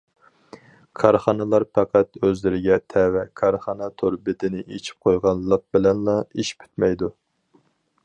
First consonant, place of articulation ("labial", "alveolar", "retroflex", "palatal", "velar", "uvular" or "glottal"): velar